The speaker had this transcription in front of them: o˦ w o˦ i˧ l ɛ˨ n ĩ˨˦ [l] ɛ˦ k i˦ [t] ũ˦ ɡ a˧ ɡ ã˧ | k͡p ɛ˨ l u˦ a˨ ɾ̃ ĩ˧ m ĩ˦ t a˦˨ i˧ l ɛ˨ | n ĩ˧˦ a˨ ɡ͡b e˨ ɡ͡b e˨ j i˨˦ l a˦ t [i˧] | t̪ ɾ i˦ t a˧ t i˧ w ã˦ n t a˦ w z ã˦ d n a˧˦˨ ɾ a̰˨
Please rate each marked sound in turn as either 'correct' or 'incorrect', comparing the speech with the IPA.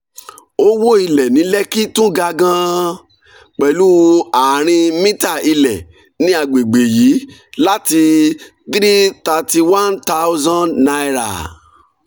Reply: correct, correct, correct

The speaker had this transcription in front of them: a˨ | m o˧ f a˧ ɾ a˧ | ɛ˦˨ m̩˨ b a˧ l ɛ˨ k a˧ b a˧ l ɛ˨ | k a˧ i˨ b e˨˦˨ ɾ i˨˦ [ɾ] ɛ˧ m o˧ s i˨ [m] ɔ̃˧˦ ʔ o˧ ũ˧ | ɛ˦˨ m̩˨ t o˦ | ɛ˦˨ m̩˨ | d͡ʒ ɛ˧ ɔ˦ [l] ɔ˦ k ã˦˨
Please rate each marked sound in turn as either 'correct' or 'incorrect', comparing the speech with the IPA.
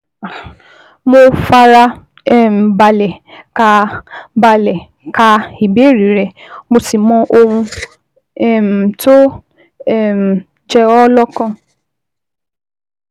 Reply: correct, correct, correct

